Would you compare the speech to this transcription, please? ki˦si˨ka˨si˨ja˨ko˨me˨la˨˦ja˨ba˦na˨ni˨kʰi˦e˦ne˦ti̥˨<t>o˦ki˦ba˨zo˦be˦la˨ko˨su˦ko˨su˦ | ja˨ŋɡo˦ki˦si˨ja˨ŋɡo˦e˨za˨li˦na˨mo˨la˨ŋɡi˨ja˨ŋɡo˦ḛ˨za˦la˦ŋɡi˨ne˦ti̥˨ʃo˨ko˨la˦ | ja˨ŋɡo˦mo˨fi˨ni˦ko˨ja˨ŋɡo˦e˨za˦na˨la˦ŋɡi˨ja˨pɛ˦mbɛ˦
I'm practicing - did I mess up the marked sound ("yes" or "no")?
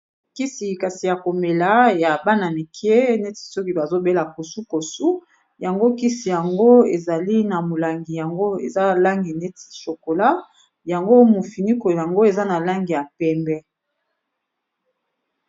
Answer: yes